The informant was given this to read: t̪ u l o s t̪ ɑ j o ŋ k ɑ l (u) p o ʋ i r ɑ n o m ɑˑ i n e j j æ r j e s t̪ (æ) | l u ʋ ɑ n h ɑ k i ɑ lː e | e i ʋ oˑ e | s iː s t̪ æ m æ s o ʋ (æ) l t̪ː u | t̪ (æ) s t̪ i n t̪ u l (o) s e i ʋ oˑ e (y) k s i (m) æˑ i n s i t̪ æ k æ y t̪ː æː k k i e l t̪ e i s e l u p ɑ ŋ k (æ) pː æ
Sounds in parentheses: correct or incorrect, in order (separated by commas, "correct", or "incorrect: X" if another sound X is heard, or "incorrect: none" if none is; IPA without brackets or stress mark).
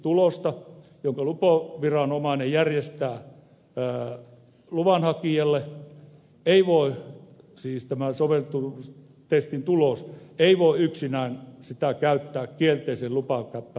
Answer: correct, incorrect: æː, incorrect: e, incorrect: e, correct, correct, incorrect: n, correct